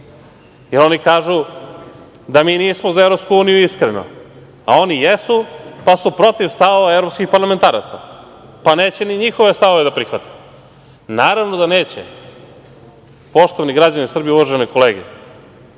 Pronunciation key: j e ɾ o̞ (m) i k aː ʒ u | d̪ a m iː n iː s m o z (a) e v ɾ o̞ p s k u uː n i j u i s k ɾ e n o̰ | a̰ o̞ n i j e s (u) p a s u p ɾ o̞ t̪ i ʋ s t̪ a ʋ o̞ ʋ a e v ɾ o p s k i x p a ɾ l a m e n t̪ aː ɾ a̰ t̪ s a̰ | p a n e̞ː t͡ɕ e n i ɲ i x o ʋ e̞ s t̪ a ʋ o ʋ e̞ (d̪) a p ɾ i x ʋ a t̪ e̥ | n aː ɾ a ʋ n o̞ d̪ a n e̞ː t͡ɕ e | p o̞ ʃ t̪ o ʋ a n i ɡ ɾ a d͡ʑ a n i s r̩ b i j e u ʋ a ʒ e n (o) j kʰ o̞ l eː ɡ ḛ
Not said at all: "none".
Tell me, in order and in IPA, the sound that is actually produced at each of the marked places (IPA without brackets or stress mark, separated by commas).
n, a, u, d̪, o